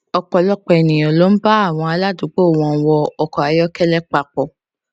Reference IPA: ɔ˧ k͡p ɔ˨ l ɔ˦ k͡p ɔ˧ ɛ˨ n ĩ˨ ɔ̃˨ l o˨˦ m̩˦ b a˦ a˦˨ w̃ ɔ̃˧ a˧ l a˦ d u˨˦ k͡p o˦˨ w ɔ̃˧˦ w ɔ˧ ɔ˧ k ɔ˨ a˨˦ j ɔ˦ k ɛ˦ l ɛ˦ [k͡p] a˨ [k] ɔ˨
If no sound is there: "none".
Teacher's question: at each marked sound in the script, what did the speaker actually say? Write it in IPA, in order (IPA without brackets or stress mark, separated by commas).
k͡p, k͡p